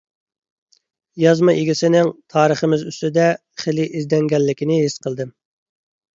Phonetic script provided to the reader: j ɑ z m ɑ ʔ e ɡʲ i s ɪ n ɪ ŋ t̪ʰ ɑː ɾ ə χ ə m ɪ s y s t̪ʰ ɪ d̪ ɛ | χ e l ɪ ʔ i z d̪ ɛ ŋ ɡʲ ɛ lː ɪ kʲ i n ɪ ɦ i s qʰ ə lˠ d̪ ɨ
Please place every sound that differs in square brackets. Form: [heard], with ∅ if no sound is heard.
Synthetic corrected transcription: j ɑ z m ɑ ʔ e ɡʲ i s ɪ n ɪ ŋ t̪ʰ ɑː ɾ ə χ ə m ɪ [z] y s [t̪] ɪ d̪ ɛ | χ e l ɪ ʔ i z d̪ ɛ ŋ ɡʲ ɛ lː ɪ kʲ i n ɪ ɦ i s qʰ ə lˠ d̪ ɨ